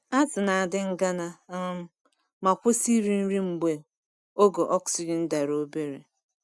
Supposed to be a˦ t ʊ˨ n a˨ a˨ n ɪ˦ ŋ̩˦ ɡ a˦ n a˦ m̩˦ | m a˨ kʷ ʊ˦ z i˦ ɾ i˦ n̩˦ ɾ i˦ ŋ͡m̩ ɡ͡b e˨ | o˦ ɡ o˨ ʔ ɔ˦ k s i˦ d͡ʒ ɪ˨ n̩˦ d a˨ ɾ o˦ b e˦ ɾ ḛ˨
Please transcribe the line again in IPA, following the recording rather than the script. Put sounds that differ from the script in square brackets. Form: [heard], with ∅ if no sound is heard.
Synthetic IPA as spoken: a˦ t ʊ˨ n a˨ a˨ [d] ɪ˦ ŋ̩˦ ɡ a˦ n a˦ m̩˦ | m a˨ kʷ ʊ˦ [s] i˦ ɾ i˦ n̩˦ ɾ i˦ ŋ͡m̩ ɡ͡b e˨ | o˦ ɡ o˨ ʔ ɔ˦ k s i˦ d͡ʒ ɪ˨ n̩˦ d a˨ ɾ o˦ b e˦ ɾ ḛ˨